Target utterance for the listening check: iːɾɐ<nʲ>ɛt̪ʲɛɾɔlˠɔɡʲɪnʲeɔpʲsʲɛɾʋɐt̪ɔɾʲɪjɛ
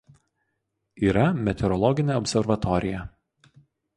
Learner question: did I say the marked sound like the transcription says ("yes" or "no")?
no